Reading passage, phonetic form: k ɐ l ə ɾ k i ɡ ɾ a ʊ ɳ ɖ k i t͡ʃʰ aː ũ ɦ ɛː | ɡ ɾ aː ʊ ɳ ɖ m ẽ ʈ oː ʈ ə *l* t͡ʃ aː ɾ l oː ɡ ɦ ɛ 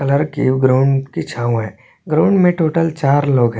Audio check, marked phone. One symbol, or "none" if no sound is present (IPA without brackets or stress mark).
l